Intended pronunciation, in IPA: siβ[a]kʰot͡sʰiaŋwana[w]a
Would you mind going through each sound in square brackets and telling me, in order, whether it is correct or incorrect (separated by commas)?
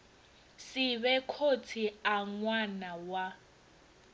incorrect, correct